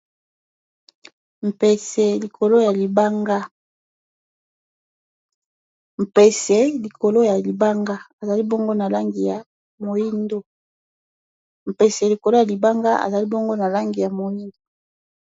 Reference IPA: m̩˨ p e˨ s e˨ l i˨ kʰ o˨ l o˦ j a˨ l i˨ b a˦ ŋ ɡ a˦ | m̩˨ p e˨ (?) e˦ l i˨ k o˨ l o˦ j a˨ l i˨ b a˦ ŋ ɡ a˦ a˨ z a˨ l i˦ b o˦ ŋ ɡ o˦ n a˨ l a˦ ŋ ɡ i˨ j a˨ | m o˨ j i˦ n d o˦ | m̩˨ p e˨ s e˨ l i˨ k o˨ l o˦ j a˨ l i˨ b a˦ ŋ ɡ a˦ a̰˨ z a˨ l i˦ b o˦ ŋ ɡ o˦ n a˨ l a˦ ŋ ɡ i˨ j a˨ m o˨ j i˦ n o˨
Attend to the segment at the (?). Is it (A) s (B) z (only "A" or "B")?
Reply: A